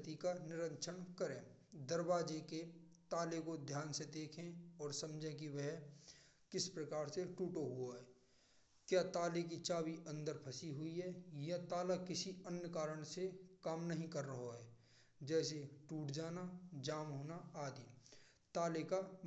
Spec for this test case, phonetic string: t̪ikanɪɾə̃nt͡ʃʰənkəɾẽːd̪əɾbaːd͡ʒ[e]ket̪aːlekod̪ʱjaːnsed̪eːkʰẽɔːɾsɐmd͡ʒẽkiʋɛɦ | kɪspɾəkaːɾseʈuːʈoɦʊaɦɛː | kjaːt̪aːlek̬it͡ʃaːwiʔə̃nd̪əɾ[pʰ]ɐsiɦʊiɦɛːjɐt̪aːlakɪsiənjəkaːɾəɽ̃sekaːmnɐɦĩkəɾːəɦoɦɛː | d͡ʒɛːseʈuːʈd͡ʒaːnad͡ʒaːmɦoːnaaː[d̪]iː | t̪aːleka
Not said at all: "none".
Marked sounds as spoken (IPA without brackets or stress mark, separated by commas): e, pʰ, d̪